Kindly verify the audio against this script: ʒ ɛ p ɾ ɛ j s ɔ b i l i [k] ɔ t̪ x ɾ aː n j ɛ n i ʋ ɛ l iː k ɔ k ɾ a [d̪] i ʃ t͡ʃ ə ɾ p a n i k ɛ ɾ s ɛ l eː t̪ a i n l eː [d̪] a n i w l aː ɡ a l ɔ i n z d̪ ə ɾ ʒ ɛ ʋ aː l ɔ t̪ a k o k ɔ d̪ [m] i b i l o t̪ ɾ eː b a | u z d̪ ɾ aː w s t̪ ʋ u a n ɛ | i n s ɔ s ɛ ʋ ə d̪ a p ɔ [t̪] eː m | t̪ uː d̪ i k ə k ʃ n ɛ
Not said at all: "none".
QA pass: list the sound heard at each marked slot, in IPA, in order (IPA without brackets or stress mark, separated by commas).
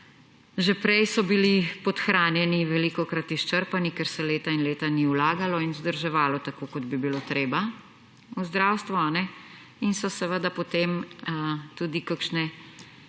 p, t̪, t̪, b, t̪